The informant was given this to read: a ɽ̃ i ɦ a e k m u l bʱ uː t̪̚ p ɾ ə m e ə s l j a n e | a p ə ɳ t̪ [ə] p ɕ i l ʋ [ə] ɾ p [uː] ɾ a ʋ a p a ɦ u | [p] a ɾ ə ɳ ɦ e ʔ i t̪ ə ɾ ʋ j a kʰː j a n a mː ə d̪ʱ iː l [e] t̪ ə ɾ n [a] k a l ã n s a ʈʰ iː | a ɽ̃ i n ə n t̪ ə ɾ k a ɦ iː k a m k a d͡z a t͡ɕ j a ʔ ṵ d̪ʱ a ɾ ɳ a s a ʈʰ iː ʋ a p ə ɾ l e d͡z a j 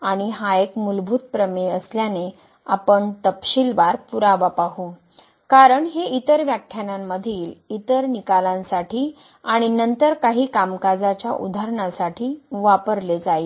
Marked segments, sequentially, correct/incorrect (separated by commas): correct, incorrect, incorrect, incorrect, incorrect, incorrect